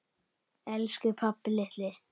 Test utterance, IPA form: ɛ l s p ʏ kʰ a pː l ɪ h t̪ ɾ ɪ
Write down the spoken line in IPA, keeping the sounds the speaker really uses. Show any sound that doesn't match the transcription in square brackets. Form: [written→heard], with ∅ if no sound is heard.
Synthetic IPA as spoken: ɛ l s [p→k] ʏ [kʰ→pʰ] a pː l ɪ h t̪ [ɾ→l] ɪ